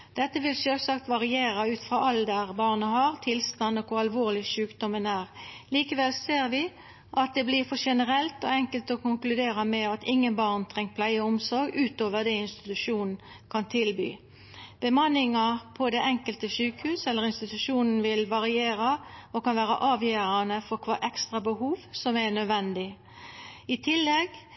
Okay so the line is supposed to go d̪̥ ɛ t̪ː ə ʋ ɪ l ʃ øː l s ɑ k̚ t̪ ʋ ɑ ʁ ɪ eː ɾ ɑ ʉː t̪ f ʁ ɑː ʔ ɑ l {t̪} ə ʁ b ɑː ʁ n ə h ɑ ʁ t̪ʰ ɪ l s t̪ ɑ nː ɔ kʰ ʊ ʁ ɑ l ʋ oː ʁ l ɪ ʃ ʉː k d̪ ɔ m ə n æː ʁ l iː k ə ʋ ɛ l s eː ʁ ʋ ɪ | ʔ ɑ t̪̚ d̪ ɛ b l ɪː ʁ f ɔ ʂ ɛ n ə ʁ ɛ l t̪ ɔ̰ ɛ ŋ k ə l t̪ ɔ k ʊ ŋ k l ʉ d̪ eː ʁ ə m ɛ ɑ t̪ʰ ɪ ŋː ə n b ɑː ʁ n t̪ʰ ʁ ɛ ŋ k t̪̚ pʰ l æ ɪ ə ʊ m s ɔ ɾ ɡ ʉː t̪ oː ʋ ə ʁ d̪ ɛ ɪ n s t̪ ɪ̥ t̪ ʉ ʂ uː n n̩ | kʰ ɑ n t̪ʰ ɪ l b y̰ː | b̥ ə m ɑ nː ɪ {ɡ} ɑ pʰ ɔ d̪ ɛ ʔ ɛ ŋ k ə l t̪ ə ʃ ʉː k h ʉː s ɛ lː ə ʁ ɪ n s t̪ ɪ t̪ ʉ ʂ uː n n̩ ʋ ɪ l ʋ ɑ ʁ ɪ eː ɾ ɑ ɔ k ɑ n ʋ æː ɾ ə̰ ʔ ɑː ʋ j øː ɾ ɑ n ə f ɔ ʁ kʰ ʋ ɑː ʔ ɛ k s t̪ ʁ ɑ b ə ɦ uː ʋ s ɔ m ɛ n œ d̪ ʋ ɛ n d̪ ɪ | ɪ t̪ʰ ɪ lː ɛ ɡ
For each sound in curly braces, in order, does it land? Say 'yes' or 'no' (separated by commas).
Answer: no, no